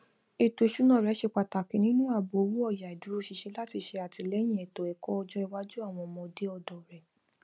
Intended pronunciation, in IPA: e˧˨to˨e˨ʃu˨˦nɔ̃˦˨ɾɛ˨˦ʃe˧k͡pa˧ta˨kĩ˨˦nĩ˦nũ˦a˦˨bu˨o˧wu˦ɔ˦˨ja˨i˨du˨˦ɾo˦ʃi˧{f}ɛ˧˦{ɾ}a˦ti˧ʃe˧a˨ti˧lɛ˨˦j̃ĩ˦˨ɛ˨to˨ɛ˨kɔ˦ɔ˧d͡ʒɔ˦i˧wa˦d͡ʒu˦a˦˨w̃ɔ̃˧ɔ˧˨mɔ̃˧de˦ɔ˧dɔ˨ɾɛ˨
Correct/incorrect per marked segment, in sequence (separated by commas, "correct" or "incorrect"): incorrect, incorrect